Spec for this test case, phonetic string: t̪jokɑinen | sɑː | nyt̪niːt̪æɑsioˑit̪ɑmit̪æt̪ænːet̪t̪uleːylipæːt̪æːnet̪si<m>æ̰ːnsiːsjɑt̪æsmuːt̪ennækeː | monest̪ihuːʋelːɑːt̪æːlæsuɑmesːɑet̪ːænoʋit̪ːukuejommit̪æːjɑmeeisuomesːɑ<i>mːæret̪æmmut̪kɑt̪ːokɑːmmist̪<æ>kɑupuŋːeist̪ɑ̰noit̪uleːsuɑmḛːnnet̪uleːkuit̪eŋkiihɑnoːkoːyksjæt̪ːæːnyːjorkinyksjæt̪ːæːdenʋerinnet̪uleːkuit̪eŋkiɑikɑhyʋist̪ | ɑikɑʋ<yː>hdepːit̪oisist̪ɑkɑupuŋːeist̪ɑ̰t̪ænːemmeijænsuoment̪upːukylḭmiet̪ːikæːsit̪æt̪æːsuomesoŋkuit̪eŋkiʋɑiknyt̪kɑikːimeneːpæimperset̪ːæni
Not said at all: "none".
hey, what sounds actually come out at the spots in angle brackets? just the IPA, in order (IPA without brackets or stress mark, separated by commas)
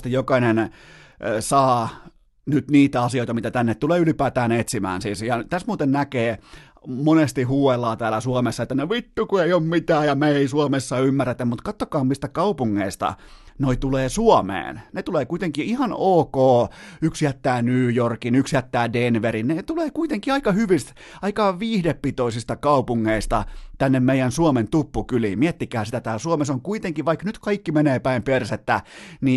m, y, æ, iː